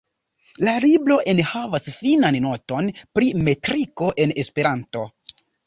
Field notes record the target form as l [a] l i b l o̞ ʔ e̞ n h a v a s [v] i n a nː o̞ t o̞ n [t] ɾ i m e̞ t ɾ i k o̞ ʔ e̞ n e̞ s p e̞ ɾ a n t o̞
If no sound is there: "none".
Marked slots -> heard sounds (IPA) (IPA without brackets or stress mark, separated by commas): a, f, p